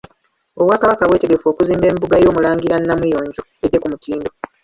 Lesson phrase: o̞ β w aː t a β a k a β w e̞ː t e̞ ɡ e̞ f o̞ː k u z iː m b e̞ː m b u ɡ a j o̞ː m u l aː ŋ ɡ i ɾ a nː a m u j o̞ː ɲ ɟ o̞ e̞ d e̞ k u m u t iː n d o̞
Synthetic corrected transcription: o̞ β w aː k a β a k a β w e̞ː t e̞ ɡ e̞ f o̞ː k u z iː m b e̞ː m b u ɡ a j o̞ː m u l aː ŋ ɡ i ɾ a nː a m u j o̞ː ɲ ɟ o̞ e̞ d e̞ k u m u t iː n d o̞

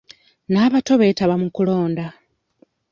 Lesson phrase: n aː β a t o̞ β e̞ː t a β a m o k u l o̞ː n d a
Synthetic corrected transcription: n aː β a t o̞ β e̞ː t a β a m u k u l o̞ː n d a

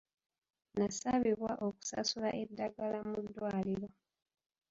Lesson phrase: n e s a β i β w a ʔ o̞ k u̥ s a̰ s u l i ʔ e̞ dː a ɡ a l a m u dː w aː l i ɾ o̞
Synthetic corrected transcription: n a s a β i β w a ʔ o̞ k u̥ s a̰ s u l a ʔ e̞ dː a ɡ a l a m u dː w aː l i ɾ o̞

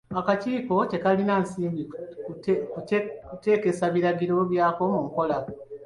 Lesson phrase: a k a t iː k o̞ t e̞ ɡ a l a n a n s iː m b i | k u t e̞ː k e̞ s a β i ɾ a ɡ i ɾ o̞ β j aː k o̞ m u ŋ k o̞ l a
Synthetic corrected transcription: a k a c iː k o̞ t e̞ k a l i n a n s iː m b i | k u t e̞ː k e̞ s a β i ɾ a ɡ i ɾ o̞ β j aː k o̞ m u ŋ k o̞ l a

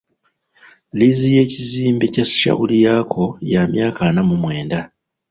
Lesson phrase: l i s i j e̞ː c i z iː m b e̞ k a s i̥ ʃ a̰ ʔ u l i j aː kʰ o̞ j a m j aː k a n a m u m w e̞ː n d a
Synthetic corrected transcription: l i z i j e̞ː c i z iː m b e̞ c a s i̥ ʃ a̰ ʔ u l i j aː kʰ o̞ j a m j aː k a n a m u m w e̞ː n d a

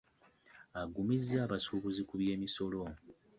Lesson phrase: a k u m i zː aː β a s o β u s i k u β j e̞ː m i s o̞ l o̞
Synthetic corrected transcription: a ɡ u m i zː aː β a s u β u z i k u β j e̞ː m i s o̞ l o̞

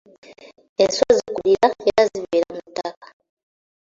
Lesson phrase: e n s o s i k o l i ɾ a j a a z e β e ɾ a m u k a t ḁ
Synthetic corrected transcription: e n s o z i k u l i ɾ a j a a z i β e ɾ a m u t a k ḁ

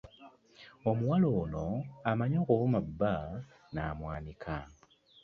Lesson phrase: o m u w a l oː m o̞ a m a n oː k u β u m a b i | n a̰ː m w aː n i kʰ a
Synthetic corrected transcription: o m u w a l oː n o̞ a m a ɲ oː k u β u m a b a | n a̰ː m w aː n i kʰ a

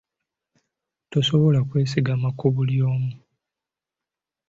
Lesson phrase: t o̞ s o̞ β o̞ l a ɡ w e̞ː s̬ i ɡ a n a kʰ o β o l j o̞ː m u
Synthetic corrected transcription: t o̞ s o̞ β o̞ l a k w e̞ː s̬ i ɡ a m a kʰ o β u l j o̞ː m u

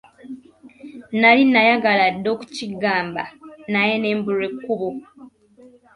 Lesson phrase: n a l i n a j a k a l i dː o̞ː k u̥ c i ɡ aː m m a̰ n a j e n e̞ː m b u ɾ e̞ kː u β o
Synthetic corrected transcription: n a l i n a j a ɡ a l a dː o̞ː k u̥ c i ɡ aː m b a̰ n a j e n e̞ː m b u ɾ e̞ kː u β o

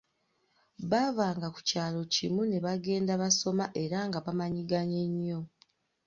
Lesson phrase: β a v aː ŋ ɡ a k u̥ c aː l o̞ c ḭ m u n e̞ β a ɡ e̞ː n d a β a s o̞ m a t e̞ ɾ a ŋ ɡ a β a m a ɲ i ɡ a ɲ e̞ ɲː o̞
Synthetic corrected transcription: β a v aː ŋ ɡ a k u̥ c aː l o̞ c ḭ m u n e̞ β a ɡ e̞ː n d a β a s o̞ m a ʔ e̞ ɾ a ŋ ɡ a β a m a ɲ i ɡ a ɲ e̞ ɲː o̞

